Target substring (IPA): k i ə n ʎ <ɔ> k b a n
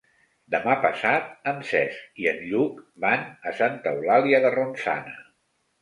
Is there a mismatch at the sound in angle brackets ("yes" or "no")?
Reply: yes